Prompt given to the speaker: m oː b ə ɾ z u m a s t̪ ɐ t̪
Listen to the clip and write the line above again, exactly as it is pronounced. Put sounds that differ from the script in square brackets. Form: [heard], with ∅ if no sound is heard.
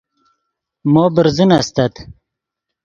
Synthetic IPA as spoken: m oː b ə ɾ z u [n] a s t̪ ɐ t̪